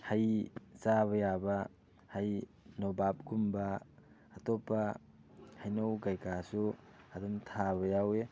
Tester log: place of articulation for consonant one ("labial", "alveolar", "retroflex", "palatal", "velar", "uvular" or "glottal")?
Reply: glottal